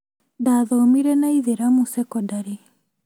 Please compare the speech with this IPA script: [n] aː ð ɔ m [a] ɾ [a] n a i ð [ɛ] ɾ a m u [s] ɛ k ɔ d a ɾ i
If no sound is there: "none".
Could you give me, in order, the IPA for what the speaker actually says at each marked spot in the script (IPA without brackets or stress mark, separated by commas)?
d, i, ɛ, e, s